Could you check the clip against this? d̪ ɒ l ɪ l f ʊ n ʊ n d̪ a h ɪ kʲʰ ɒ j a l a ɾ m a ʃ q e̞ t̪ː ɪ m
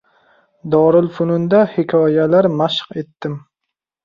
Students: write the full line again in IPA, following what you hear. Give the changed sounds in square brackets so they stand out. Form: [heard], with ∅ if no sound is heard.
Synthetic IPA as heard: d̪ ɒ [ɾ] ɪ l f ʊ n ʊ n d̪ a h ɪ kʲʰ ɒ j a l a ɾ m a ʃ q e̞ t̪ː ɪ m